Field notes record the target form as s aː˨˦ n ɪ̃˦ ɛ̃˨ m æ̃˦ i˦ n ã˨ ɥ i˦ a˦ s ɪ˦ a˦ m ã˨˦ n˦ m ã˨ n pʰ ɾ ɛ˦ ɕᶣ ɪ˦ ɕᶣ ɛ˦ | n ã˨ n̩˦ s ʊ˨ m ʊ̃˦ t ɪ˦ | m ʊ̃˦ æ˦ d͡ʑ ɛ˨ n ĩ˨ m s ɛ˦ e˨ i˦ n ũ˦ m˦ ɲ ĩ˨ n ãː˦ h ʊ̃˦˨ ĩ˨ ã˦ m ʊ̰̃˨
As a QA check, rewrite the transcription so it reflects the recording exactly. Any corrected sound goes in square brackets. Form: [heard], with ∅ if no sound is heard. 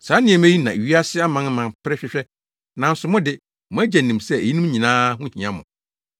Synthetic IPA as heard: s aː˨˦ n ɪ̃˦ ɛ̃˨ m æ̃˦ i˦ n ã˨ ɥ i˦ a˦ s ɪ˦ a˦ m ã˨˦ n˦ m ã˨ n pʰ ɾ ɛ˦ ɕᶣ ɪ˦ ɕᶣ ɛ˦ | n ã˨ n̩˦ s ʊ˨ m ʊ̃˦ [d] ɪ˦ | m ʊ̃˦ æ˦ d͡ʑ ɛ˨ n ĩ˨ m s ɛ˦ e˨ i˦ n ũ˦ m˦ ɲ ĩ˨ n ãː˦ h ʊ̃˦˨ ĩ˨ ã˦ m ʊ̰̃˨